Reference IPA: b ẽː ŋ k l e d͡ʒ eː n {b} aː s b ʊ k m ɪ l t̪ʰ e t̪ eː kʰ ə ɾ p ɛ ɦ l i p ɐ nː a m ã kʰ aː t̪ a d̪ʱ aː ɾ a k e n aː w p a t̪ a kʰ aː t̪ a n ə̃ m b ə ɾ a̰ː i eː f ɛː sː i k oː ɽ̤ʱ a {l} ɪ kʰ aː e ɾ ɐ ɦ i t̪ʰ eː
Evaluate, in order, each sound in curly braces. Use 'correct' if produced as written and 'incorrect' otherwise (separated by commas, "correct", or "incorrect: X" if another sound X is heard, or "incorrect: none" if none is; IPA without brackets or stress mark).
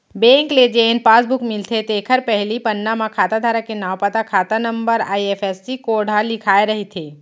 incorrect: p, correct